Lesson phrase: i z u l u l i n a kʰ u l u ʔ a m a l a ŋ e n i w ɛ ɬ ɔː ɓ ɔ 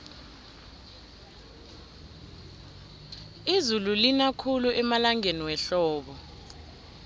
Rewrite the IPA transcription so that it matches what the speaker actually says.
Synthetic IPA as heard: i z u l u l i n a kʰ u l u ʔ ɛ m a l a ŋ e n i w ɛ ɬ ɔː ɓ ɔ